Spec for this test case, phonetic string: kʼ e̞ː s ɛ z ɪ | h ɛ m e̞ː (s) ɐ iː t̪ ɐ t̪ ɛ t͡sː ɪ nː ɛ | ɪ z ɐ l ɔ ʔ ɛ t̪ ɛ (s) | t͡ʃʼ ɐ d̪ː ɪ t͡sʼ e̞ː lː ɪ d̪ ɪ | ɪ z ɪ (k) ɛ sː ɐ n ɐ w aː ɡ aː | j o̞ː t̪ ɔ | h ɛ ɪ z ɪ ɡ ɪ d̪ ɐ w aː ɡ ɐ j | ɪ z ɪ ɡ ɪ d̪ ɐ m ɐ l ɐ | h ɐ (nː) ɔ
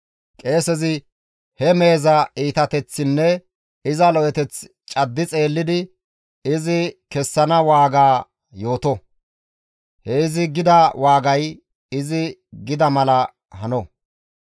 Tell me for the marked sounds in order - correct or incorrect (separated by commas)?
incorrect, incorrect, correct, incorrect